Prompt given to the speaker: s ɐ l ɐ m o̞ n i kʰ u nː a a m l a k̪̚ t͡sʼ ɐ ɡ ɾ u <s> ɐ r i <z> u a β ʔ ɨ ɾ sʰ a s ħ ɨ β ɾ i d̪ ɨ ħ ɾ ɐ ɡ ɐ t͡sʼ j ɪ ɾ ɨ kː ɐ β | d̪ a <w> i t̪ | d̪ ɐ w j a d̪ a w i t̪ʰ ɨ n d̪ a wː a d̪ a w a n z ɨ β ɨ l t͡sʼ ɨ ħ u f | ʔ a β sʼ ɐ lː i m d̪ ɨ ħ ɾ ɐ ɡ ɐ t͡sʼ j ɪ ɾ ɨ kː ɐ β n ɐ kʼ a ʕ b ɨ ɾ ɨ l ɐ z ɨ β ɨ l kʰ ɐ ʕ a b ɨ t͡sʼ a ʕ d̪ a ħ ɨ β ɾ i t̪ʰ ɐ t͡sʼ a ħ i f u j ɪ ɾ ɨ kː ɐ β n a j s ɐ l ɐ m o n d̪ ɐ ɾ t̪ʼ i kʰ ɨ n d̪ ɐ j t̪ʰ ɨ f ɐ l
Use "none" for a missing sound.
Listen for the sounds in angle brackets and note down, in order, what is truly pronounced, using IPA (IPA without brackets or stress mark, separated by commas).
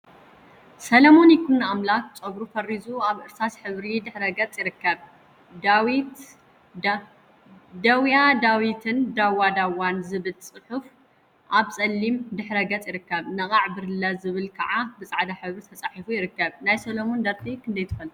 f, z, w